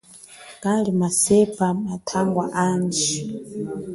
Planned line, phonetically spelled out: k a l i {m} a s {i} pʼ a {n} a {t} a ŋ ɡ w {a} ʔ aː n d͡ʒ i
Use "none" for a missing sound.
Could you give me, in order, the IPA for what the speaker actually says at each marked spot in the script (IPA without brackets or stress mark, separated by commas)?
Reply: m, ɛ, m, tʰ, a